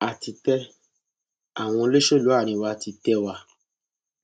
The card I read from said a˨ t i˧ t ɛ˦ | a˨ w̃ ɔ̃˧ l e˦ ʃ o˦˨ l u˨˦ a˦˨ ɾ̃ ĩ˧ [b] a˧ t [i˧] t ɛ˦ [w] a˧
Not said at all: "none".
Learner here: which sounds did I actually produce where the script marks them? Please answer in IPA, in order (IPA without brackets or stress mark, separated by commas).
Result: w, i˧, w